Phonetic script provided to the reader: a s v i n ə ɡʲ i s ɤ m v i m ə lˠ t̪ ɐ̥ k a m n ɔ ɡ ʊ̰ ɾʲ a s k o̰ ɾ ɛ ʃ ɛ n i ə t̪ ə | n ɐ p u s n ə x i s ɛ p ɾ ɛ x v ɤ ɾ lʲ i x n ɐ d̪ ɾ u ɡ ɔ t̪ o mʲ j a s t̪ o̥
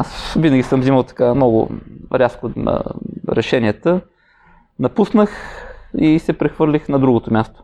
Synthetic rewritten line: a s v i n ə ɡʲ i s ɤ m z i m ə lˠ t̪ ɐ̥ k a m n ɔ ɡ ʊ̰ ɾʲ a s k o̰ ɾ ɛ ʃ ɛ n i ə t̪ ə | n ɐ p u s n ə x i s ɛ p ɾ ɛ x v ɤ ɾ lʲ i x n ɐ d̪ ɾ u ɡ o t̪ o mʲ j a s t̪ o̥